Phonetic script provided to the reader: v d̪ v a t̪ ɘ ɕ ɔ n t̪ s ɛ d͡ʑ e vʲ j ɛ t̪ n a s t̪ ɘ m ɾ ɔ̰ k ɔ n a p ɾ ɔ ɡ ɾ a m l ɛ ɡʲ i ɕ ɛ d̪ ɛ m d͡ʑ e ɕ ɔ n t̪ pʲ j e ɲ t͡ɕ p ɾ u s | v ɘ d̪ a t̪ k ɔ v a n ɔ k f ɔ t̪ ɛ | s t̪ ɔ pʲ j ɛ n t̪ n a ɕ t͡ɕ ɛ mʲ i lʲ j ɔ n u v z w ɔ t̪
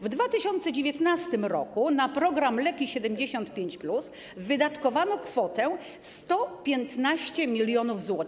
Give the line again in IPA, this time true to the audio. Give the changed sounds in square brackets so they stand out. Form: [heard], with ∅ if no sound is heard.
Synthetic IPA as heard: v d̪ v a t̪ ɘ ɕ ɔ n t̪ s ɛ d͡ʑ e vʲ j ɛ t̪ n a s t̪ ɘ m ɾ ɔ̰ k [u] n a p ɾ ɔ ɡ ɾ a m l ɛ [kʲ] i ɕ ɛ d̪ ɛ m d͡ʑ e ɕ ɔ n t̪ pʲ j e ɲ t͡ɕ p [l] u s | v ɘ d̪ a t̪ k ɔ v a n ɔ k f ɔ t̪ ɛ | s t̪ ɔ pʲ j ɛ n t̪ n a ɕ t͡ɕ ɛ mʲ i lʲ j ɔ n u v z w ɔ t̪